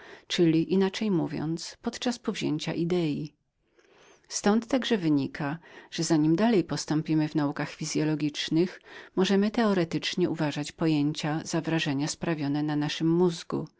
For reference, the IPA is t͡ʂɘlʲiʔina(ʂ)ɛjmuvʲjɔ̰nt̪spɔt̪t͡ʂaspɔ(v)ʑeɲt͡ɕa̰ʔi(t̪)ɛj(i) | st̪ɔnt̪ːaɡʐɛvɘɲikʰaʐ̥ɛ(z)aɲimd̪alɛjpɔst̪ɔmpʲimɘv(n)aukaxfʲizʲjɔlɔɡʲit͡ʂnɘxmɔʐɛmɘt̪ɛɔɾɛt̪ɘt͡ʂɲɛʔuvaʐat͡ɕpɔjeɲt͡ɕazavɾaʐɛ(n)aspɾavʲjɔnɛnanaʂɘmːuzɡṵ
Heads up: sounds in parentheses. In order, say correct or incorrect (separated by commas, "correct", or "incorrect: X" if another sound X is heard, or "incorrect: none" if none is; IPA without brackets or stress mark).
incorrect: t͡ʂ, correct, incorrect: d̪, correct, correct, correct, incorrect: ɲ